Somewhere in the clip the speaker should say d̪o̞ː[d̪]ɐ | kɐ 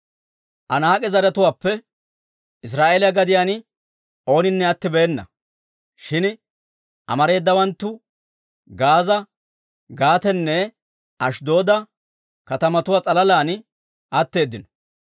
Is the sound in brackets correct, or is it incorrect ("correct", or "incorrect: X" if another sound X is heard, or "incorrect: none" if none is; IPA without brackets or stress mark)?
correct